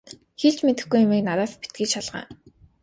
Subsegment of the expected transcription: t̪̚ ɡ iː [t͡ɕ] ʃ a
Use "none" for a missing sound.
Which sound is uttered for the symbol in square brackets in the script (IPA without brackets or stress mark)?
t͡ɕ